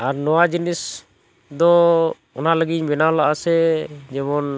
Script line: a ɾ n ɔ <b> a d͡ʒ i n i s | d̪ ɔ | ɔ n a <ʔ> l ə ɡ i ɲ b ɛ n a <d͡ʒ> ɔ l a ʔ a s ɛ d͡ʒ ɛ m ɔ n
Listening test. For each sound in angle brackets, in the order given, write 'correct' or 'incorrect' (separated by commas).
incorrect, incorrect, incorrect